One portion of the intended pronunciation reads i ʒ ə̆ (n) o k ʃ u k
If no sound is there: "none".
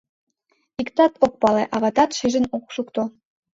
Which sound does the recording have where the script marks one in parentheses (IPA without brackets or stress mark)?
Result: n